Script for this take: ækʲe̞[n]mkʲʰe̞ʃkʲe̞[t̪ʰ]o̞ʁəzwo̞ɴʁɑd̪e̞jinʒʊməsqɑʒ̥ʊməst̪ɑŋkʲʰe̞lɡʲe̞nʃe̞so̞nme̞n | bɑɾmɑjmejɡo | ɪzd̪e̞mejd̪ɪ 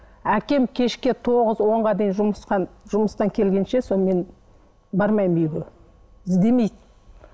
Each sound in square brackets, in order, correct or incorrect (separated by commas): incorrect, correct